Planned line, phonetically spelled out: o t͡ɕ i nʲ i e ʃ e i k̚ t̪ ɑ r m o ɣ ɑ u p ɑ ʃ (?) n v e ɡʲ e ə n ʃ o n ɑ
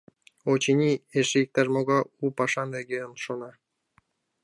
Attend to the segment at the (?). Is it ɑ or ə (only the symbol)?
ɑ